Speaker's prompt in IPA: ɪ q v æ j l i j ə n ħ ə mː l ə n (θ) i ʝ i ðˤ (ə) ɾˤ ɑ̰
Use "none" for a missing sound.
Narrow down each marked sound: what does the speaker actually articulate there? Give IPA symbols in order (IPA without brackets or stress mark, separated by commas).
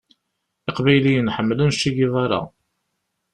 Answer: ʃ, ɑ